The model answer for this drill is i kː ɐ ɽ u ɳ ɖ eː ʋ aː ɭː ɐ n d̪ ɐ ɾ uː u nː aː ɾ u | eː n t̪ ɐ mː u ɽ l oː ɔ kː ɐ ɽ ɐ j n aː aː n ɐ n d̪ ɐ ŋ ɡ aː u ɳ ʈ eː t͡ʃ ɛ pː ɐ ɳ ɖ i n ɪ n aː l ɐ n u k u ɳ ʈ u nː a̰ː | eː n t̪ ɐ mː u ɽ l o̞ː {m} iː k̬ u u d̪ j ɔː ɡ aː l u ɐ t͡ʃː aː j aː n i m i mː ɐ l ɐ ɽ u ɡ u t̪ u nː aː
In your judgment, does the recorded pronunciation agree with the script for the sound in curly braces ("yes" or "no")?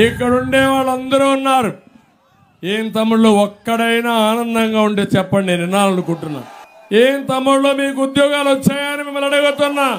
yes